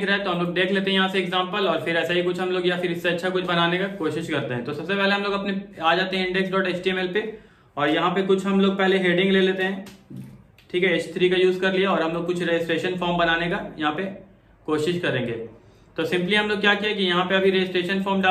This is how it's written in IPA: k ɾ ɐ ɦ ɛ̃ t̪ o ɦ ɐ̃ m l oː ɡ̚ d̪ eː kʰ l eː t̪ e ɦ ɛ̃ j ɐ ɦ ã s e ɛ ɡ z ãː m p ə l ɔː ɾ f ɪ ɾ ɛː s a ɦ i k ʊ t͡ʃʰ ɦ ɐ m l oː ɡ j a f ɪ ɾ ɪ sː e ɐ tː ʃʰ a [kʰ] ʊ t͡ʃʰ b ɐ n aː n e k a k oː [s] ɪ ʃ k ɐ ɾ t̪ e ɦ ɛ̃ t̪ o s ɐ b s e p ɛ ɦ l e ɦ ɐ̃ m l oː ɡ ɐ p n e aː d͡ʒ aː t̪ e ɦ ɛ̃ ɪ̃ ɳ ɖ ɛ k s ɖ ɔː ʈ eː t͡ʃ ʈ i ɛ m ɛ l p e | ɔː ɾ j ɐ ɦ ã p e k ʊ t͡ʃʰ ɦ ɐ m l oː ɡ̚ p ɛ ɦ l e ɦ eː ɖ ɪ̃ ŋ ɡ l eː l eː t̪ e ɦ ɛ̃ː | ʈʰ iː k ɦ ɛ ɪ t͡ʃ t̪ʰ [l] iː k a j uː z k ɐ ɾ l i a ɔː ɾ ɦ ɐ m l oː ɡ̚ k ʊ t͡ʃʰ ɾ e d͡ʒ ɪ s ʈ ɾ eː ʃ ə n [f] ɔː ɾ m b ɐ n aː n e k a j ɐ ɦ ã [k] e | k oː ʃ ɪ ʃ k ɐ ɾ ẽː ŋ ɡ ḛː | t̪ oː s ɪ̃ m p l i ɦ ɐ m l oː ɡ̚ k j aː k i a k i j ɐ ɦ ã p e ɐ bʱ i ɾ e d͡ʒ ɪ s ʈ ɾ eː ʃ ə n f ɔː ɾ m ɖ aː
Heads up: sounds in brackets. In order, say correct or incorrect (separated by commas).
incorrect, incorrect, incorrect, correct, incorrect